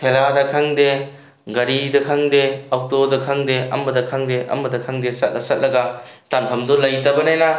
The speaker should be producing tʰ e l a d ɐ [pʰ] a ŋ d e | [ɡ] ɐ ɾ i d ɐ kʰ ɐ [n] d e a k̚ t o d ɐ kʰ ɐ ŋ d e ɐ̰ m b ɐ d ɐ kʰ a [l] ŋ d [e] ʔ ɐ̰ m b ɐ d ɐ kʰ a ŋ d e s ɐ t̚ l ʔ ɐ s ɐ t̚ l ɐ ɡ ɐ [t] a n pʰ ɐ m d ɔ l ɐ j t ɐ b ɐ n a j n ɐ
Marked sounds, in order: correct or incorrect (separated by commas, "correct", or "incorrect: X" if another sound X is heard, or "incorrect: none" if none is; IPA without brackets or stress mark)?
incorrect: kʰ, correct, incorrect: ŋ, incorrect: none, correct, correct